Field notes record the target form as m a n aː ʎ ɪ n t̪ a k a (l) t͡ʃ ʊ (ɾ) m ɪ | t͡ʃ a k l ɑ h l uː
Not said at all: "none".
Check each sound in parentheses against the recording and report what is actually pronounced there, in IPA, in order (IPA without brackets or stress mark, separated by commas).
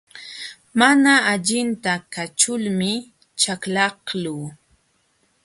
none, l